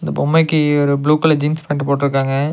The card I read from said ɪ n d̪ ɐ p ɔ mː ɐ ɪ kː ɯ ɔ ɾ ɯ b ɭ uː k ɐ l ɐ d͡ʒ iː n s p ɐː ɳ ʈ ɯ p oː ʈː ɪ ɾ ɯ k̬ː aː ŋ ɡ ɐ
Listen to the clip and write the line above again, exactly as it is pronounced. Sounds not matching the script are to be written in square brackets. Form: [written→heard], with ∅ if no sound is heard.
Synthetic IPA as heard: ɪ n d̪ ɐ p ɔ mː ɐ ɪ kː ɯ ɔ ɾ ɯ b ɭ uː k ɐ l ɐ d͡ʒ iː n s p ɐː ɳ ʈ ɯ p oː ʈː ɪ ɾ ɯ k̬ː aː ŋ ɡ ɐ